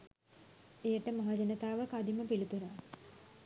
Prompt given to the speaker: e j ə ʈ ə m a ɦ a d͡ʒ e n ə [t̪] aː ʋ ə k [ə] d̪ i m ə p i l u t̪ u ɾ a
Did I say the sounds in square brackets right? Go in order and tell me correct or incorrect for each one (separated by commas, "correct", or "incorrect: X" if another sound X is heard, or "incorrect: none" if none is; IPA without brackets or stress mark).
correct, incorrect: a